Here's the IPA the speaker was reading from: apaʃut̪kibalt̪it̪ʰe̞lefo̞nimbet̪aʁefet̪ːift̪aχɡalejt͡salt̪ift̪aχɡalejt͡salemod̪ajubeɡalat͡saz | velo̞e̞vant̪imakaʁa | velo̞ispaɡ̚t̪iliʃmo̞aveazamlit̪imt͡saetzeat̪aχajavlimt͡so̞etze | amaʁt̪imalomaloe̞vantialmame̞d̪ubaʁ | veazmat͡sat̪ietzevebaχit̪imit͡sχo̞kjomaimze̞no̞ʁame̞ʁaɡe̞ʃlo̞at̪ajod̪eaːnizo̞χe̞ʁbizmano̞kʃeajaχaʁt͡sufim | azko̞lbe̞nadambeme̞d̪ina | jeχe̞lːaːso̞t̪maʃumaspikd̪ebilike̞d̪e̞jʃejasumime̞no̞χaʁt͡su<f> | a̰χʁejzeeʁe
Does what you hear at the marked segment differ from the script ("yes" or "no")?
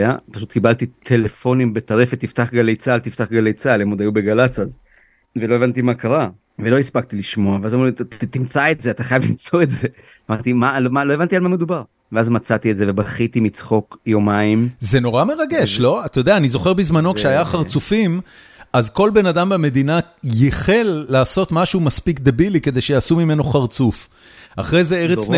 no